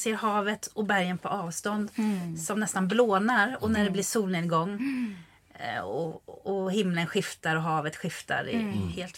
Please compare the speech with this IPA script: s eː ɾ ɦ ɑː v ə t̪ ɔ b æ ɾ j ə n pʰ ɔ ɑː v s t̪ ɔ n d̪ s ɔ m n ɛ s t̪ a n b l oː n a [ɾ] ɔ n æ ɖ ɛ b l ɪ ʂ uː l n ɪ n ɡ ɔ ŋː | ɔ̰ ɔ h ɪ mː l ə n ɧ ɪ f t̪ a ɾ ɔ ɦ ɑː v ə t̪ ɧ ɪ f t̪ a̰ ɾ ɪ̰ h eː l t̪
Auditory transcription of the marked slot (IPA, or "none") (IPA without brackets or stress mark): ɾ